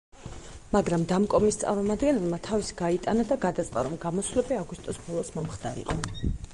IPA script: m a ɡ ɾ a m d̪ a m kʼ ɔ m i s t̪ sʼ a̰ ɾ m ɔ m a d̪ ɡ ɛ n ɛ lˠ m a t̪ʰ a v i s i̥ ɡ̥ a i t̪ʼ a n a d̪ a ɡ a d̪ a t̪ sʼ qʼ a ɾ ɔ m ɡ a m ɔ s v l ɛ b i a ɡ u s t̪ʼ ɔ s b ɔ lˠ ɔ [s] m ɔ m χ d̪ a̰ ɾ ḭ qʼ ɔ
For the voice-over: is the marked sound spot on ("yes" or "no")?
yes